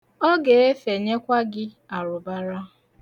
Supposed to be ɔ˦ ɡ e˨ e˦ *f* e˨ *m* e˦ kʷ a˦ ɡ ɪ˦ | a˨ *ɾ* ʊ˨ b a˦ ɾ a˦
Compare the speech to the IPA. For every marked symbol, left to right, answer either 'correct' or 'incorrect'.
correct, incorrect, correct

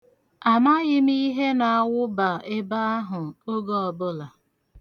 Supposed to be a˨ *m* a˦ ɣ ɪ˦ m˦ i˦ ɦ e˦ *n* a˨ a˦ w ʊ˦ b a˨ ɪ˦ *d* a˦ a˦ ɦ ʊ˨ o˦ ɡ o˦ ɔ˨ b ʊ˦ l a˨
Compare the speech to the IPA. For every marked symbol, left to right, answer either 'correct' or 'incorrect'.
correct, correct, incorrect

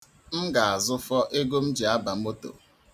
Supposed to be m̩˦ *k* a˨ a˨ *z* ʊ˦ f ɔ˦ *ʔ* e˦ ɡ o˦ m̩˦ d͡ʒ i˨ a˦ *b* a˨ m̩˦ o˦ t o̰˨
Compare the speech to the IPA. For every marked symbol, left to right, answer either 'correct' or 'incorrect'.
incorrect, correct, correct, correct

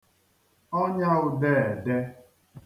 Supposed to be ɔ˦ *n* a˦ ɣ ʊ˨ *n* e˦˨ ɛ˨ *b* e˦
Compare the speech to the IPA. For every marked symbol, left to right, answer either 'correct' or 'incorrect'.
incorrect, incorrect, incorrect

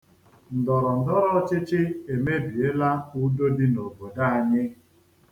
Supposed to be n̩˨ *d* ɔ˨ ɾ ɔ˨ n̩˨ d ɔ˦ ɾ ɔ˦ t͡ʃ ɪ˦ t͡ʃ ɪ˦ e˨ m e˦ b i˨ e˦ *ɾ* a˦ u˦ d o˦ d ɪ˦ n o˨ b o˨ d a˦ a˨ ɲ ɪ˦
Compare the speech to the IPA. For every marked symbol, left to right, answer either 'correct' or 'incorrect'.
correct, incorrect

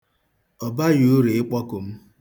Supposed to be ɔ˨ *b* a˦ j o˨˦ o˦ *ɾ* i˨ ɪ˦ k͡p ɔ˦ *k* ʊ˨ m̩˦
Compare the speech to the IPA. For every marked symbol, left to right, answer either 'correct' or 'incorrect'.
correct, correct, correct

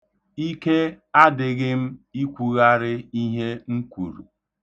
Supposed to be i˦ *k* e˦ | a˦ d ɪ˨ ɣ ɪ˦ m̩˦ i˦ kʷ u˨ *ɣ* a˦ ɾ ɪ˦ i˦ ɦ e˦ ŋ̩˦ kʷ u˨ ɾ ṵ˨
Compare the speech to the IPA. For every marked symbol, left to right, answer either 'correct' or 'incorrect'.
correct, correct

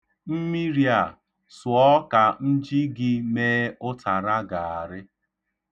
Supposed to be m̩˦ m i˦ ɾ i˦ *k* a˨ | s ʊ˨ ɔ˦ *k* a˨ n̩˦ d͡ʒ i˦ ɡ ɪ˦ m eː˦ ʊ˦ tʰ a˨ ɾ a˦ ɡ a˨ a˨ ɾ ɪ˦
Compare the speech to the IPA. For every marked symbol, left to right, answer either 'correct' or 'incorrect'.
incorrect, correct

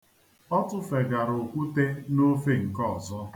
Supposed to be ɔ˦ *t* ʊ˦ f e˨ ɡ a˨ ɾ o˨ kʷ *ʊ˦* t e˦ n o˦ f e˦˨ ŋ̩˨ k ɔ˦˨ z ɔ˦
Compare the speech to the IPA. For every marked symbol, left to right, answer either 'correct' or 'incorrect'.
correct, incorrect

